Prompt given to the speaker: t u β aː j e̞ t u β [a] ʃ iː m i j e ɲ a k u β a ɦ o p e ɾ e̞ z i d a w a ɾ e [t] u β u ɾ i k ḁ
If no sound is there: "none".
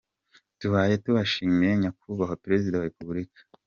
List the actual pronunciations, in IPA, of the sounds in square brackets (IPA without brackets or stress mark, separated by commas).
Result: a, p